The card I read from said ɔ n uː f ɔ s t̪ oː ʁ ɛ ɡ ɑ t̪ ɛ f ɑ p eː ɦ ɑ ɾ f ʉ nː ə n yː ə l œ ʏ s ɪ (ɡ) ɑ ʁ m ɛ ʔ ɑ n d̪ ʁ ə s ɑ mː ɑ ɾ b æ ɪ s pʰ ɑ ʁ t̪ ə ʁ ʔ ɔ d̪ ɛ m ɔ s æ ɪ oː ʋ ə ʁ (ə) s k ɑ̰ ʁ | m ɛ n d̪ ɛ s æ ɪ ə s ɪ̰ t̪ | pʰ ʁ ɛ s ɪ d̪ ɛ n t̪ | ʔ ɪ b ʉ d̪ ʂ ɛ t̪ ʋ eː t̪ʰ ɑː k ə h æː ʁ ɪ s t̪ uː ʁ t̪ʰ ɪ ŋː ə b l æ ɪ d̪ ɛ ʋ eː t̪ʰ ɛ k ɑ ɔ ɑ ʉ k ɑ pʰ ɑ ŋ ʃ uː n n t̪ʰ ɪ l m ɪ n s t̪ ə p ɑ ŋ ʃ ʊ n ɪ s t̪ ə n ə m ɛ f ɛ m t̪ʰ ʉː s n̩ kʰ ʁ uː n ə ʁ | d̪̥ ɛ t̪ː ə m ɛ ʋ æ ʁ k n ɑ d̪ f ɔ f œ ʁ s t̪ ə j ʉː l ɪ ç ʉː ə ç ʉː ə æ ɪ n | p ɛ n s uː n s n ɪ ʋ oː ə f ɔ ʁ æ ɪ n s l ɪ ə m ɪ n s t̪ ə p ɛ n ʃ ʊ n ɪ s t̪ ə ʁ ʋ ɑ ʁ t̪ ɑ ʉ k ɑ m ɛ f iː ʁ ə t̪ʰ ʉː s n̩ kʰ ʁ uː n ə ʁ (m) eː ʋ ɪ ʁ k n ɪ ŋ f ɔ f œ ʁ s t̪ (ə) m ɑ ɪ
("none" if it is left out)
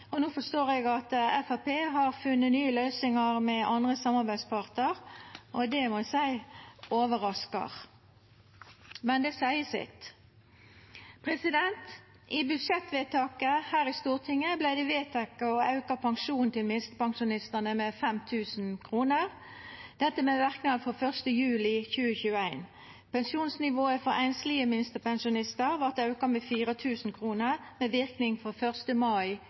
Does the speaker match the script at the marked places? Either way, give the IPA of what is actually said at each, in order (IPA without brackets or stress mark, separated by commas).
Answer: ŋ, ɑ, m, ə